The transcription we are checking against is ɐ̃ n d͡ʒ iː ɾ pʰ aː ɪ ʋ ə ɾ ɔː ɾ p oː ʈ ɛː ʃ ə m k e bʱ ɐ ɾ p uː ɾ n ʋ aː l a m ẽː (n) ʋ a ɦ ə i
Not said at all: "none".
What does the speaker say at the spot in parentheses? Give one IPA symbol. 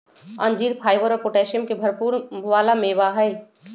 none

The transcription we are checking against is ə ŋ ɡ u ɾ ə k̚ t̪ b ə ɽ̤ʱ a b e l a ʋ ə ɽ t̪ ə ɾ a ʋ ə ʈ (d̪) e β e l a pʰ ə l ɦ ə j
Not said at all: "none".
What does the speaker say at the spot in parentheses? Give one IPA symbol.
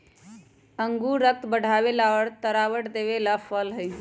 d̪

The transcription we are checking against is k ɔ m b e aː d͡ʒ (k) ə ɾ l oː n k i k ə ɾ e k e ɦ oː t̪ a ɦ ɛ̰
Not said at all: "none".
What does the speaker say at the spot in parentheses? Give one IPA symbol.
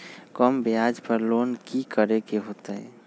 p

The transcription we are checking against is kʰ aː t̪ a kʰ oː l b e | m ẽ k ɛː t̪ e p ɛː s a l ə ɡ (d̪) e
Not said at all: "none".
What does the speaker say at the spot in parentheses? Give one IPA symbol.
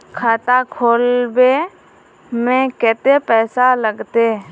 t̪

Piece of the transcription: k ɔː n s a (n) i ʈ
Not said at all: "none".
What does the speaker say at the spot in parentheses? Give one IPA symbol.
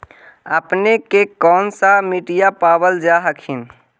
m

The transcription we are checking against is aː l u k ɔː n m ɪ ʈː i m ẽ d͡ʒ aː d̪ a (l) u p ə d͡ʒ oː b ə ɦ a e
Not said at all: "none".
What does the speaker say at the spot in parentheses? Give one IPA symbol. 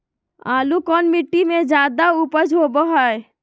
none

